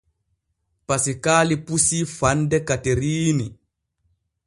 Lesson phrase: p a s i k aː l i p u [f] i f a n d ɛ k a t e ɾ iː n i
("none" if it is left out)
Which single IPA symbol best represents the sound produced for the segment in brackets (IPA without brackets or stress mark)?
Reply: s